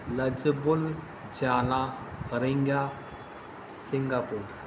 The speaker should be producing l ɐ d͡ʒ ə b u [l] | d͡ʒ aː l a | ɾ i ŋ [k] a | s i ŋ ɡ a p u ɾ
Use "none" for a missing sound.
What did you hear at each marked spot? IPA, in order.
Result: l, ɡ

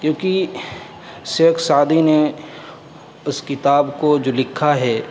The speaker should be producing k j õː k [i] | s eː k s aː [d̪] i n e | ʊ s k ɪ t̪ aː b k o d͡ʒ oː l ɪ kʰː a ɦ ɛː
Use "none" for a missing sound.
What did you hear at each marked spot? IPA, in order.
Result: i, d̪

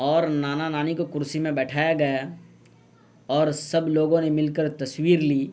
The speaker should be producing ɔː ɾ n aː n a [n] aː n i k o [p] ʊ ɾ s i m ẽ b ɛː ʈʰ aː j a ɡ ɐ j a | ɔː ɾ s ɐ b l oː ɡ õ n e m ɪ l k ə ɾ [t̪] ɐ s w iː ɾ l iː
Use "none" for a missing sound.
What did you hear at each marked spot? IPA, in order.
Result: n, k, t̪

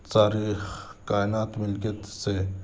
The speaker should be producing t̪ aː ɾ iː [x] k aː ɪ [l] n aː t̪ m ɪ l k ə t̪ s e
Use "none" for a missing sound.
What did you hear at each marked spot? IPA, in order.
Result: x, none

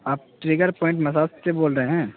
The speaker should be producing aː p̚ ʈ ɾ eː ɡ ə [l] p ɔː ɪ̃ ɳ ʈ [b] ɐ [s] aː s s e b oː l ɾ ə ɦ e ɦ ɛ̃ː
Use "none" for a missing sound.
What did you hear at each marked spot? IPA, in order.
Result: ɾ, m, s

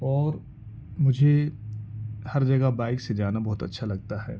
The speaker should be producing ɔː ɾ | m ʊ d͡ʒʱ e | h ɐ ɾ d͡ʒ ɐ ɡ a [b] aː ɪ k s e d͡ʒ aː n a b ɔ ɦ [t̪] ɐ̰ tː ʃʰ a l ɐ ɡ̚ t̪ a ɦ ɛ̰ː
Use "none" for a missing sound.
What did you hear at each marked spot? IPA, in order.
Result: b, t̪

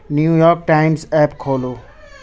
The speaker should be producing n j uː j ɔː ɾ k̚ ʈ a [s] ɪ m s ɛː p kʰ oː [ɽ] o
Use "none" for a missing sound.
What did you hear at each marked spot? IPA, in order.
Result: none, l

